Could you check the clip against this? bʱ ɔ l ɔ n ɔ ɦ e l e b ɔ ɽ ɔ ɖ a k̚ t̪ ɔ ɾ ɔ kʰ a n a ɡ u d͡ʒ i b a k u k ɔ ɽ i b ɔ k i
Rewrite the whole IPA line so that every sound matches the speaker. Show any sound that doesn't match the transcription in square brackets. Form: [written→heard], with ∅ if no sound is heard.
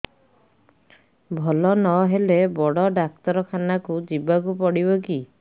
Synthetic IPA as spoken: bʱ ɔ l ɔ n ɔ ɦ e l e b ɔ ɽ ɔ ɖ a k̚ t̪ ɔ ɾ ɔ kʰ a n a [ɡ→k] u d͡ʒ i b a k u [k→p] ɔ ɽ i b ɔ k i

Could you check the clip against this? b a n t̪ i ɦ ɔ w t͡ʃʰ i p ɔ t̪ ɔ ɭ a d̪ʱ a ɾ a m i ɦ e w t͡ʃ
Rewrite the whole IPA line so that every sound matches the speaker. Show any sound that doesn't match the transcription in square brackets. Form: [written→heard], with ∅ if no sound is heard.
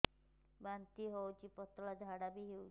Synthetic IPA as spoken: b a n t̪ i ɦ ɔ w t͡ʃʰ i p ɔ t̪ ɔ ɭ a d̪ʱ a [ɾ→ɽ] a [m→b] i ɦ e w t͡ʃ

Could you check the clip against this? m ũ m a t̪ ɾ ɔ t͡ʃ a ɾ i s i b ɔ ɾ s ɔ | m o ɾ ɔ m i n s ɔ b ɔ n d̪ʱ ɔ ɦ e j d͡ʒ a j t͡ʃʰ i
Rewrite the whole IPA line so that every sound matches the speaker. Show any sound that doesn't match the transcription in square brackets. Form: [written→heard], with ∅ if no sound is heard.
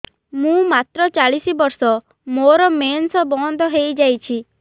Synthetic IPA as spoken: m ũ m a t̪ ɾ ɔ t͡ʃ a [ɾ→ɭ] i s i b ɔ ɾ s ɔ | m o ɾ ɔ m [i→e] n s ɔ b ɔ n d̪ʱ ɔ ɦ e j d͡ʒ a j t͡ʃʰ i

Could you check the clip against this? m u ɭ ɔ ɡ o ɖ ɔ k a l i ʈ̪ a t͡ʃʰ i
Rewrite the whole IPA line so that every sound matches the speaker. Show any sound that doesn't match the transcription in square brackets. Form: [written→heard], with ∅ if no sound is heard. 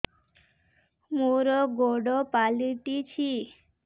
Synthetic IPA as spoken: m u [ɭ→ɾ] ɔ ɡ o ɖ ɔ [k→p] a l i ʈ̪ [a→i] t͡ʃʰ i

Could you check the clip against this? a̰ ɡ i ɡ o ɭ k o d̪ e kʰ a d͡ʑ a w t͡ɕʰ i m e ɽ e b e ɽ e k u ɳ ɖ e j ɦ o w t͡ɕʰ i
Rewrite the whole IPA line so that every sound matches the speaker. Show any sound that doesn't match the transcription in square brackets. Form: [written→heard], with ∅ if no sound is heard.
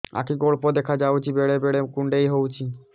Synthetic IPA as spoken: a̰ [ɡ→k] i ɡ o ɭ [k→p] o d̪ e kʰ a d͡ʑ a w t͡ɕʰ i [m→b] e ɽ e b e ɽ e k u ɳ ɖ e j ɦ o w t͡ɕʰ i

